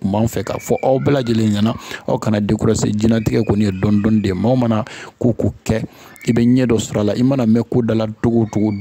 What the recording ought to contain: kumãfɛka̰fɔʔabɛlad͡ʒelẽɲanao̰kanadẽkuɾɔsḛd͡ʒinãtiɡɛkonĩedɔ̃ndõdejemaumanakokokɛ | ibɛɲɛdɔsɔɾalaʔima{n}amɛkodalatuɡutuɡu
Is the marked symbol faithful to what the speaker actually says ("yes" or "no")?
yes